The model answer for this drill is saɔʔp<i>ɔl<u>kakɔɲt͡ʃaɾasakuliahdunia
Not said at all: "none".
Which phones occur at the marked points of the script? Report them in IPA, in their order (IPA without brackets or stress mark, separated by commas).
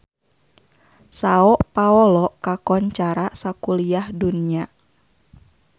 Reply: a, ɔ